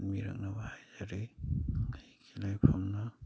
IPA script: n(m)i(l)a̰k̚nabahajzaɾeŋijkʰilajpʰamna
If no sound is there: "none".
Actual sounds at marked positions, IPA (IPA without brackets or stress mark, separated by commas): m, ɾ